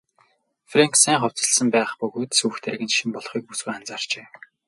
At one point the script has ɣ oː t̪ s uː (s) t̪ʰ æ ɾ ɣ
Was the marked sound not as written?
yes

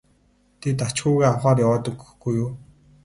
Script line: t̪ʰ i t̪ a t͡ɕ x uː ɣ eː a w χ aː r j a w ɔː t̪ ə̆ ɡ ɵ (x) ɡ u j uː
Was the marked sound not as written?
no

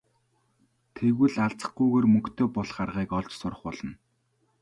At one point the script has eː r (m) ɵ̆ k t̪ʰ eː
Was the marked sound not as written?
no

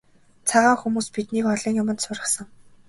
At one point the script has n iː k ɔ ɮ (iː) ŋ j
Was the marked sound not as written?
no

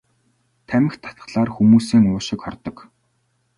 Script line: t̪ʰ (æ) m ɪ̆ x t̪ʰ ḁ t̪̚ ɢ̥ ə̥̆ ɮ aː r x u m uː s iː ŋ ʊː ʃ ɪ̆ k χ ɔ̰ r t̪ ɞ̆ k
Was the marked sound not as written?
no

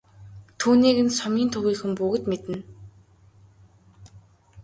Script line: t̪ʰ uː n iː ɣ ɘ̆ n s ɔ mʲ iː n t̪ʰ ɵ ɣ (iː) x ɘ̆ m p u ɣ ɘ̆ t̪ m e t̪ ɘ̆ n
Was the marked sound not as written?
no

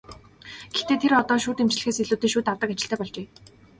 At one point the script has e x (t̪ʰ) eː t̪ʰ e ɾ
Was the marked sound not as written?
yes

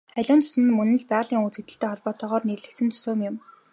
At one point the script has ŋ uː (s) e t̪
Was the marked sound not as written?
yes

